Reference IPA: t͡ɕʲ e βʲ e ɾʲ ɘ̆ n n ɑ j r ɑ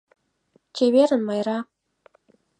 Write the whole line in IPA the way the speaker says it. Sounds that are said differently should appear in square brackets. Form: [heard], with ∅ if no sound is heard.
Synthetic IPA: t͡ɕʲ e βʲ e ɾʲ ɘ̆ n [m] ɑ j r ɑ